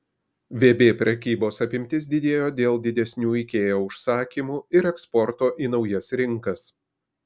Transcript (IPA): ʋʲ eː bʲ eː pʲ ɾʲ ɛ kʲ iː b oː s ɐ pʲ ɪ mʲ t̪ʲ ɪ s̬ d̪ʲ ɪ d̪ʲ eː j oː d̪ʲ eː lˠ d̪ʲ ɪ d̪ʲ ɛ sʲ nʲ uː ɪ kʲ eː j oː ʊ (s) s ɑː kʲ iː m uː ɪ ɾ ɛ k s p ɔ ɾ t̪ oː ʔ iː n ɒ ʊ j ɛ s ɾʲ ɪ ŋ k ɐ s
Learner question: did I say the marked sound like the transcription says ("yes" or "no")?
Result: no